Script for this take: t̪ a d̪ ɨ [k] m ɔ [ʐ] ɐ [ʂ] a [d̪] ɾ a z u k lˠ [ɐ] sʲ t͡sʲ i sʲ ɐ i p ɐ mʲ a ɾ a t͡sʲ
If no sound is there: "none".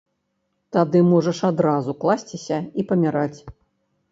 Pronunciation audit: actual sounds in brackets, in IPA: none, ʐ, ʂ, d̪, a

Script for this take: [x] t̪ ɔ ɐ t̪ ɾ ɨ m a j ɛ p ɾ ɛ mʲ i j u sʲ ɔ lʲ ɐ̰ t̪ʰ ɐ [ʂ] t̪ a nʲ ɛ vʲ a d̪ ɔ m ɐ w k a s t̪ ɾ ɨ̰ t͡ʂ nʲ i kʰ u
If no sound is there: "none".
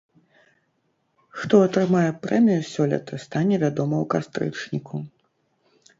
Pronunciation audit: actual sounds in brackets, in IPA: x, s

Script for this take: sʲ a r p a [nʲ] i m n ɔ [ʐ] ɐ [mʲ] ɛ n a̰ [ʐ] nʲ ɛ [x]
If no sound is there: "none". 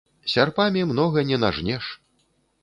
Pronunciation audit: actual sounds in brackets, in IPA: mʲ, ɣ, nʲ, ʐ, ʂ

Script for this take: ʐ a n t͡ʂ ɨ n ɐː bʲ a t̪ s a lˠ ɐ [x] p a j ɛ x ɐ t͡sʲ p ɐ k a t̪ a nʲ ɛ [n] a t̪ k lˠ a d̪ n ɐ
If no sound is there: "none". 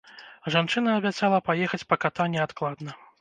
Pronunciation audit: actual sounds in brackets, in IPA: none, none

